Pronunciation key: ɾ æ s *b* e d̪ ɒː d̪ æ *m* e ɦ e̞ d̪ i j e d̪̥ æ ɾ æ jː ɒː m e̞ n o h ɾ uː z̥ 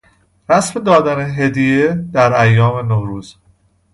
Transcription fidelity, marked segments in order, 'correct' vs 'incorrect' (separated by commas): incorrect, incorrect